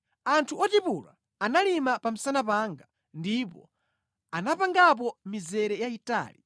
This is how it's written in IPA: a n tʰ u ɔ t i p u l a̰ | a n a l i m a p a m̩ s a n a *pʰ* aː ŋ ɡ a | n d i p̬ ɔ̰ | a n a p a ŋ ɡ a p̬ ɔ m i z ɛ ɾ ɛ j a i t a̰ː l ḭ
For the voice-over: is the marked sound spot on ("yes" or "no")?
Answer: no